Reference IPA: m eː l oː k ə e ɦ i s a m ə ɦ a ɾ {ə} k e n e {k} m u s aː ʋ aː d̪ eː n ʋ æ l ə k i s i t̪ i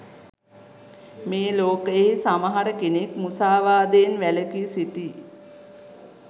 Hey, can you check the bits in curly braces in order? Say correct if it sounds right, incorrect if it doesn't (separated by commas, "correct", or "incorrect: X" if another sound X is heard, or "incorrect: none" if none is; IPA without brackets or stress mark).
correct, correct